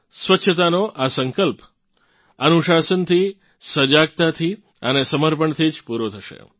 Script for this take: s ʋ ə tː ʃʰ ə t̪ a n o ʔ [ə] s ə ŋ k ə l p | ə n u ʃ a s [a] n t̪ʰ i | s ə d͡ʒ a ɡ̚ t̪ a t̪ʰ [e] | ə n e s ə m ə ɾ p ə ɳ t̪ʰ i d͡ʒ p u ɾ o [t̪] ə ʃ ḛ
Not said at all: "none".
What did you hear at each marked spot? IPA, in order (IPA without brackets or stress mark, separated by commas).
a, ə, i, t̪ʰ